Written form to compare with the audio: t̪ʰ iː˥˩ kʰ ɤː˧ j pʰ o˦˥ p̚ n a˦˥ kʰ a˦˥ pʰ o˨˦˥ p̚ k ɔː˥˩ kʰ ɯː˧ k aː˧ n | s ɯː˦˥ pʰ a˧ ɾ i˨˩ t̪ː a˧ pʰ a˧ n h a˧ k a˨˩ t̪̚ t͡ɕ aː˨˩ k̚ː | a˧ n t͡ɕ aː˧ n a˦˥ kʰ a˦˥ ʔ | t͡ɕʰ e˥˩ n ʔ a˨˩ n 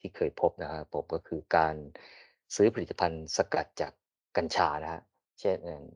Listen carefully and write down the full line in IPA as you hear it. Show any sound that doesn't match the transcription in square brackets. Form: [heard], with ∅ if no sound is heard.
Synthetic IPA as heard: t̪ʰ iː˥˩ kʰ ɤː˧ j pʰ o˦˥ p̚ n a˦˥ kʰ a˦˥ pʰ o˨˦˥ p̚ k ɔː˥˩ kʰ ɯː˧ k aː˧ n | s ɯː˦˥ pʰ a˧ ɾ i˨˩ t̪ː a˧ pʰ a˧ n [s] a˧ k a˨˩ t̪̚ t͡ɕ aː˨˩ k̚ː | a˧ n [t͡ɕʰ] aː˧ n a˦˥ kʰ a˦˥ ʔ | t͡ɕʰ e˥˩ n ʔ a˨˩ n